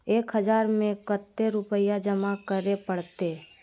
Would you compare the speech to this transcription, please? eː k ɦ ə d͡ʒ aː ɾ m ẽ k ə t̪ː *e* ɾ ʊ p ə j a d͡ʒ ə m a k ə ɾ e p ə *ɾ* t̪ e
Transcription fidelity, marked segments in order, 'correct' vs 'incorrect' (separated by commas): correct, incorrect